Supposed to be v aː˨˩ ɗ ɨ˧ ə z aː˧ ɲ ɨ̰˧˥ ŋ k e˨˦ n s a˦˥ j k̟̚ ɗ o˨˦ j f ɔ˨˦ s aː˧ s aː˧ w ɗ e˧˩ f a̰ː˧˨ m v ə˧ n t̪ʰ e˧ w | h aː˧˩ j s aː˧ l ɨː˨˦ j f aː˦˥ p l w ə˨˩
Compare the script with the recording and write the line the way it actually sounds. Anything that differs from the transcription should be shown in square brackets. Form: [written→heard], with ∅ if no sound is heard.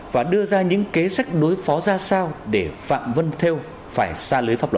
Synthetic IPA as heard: v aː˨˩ ɗ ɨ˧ ə z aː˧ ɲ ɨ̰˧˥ ŋ k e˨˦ [n→∅] s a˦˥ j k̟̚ ɗ o˨˦ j f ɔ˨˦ [s→z] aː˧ s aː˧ w ɗ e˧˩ f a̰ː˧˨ m v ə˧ n t̪ʰ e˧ w | [h→f] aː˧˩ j s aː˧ l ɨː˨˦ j f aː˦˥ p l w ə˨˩